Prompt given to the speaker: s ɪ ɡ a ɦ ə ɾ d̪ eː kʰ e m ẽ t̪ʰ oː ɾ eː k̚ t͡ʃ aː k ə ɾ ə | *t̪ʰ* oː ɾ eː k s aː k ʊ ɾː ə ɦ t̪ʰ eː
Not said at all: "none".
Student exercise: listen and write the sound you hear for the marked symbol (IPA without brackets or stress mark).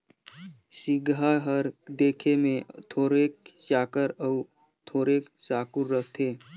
t̪ʰ